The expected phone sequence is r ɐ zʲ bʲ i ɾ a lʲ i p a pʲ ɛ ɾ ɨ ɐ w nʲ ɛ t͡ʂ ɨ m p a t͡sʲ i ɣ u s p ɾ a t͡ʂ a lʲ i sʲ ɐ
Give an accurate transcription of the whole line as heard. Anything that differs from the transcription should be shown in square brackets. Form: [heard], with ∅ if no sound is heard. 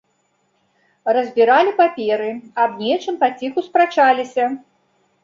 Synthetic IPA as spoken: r ɐ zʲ bʲ i ɾ a lʲ i p a pʲ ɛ ɾ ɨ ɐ [b] nʲ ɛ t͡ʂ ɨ m p a t͡sʲ i [x] u s p ɾ a t͡ʂ a lʲ i sʲ ɐ